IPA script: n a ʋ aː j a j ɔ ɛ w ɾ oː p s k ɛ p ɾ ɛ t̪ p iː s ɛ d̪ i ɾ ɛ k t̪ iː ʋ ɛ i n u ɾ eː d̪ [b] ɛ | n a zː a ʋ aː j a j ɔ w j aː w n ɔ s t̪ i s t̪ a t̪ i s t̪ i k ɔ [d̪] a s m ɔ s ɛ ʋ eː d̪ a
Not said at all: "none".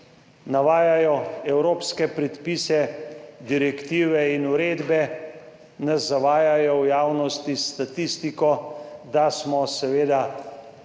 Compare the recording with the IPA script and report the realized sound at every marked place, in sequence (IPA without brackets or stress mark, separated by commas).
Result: b, d̪